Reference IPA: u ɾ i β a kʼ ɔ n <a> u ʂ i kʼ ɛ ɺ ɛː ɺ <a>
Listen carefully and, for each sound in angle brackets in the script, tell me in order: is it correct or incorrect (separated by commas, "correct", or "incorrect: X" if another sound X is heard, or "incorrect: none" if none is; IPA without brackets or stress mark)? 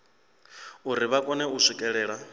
incorrect: ɛ, correct